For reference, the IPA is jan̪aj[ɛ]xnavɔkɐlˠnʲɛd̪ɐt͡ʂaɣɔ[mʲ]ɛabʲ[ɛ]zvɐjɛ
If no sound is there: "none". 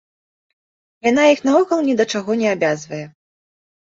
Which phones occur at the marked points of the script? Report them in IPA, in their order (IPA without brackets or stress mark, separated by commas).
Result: i, nʲ, a